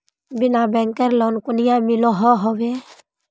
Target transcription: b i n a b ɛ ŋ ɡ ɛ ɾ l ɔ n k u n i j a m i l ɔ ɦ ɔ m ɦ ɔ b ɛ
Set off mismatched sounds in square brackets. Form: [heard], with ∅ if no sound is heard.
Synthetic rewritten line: b i n a b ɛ ŋ [k] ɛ ɾ l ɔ n k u n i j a m i l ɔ ɦ ɔ [∅] ɦ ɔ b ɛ